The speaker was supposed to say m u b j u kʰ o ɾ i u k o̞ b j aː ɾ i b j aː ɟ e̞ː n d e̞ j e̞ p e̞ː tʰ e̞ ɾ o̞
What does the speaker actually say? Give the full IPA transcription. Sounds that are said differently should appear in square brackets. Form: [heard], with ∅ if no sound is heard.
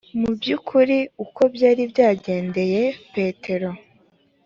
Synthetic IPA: m u b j u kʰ [u] ɾ i u k o̞ b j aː ɾ i b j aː ɟ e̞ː n d e̞ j e̞ p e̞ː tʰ e̞ ɾ o̞